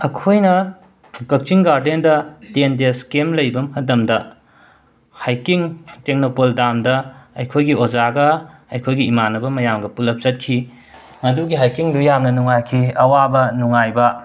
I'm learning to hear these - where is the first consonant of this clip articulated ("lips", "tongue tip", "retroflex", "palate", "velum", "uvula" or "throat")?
velum